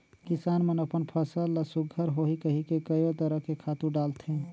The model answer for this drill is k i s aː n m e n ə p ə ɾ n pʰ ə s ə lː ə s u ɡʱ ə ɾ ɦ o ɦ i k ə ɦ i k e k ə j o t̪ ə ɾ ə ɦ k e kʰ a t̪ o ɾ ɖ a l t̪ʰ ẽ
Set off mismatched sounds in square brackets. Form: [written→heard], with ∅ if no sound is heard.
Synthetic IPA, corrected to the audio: k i s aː n m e n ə p ə [ɾ→∅] n pʰ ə s ə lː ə s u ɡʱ ə ɾ ɦ o ɦ i k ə ɦ i k e k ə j o t̪ ə ɾ ə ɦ k e kʰ a t̪ [o→u] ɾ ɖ a l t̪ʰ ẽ